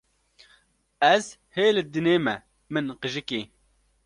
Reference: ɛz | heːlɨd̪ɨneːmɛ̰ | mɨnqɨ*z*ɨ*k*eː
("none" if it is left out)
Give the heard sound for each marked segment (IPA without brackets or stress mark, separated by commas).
ʒ, k